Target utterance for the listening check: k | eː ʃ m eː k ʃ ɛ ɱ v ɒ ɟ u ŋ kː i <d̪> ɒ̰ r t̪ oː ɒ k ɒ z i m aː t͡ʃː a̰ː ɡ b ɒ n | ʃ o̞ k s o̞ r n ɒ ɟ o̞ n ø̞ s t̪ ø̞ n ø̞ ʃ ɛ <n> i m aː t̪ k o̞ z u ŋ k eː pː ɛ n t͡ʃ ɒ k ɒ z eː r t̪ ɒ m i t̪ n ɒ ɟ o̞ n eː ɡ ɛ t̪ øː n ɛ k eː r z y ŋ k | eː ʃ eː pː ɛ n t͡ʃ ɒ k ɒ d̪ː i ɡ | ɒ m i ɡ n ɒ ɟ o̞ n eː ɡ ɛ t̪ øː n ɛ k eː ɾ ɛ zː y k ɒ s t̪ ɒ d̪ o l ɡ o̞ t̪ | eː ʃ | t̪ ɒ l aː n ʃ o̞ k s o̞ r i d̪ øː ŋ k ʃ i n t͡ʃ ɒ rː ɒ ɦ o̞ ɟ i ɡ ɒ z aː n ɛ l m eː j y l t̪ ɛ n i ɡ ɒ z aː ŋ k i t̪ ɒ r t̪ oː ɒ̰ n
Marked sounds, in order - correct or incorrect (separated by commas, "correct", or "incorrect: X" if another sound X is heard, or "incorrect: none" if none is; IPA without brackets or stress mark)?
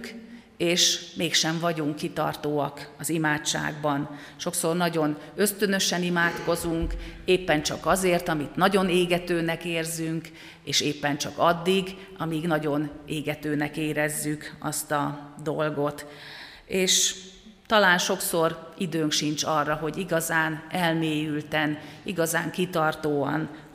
incorrect: t̪, correct